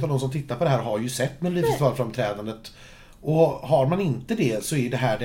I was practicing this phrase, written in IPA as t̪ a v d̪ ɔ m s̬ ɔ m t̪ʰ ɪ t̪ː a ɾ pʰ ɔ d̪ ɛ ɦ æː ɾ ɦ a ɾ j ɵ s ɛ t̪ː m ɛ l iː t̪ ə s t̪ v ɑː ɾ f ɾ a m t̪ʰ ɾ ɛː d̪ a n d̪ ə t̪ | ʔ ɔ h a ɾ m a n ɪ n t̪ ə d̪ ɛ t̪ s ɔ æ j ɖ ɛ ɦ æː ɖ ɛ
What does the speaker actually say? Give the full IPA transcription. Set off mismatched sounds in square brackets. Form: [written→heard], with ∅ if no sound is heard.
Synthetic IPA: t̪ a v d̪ ɔ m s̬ ɔ m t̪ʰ ɪ t̪ː a ɾ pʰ ɔ d̪ ɛ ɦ æː ɾ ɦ a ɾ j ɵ s ɛ t̪ː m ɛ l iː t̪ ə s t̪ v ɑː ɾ f ɾ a m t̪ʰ ɾ ɛː d̪ a n d̪ ə t̪ | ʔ ɔ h a ɾ m a n ɪ n t̪ ə d̪ ɛ [t̪→∅] s ɔ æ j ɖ ɛ ɦ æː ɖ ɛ